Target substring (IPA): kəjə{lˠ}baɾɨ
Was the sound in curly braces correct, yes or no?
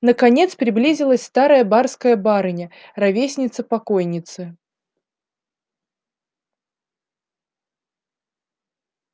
no